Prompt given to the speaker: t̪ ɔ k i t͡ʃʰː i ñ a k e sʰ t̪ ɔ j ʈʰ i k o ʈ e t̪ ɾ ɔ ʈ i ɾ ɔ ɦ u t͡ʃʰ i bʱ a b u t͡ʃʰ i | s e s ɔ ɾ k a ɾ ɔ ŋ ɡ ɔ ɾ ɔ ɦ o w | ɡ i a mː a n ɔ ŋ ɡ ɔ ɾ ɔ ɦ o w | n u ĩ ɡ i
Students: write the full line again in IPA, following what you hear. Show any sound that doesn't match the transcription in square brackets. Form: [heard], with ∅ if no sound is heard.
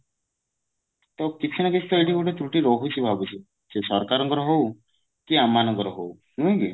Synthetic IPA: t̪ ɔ k i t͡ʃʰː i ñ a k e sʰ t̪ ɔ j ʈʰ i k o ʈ e t̪ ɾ [u] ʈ i ɾ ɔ ɦ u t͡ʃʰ i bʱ a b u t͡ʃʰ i | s e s ɔ ɾ k a ɾ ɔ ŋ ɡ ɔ ɾ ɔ ɦ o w | [k] i a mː a n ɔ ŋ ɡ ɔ ɾ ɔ ɦ o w | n u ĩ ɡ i